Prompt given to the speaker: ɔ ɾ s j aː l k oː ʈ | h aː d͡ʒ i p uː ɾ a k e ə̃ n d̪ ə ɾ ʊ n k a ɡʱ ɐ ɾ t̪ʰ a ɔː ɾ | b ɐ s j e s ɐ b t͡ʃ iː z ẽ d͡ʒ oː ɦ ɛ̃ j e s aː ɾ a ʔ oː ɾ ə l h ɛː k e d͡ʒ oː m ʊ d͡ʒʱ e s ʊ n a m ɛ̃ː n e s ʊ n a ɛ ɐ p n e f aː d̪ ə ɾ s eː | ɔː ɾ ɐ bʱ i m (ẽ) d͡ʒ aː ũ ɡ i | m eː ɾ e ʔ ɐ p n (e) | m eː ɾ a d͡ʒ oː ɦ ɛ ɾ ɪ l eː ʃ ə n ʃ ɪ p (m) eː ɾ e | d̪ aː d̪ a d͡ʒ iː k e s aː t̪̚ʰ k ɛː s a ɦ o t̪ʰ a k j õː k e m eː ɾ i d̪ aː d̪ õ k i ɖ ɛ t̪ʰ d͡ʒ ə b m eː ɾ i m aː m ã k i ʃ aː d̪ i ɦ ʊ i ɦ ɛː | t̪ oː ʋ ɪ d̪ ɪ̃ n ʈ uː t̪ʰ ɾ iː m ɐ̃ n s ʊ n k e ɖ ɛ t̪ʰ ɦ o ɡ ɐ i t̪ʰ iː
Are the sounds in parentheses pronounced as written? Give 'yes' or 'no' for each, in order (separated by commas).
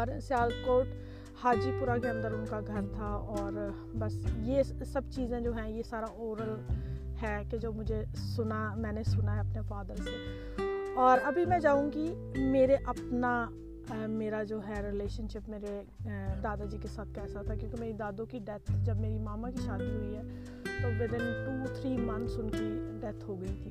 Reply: no, no, yes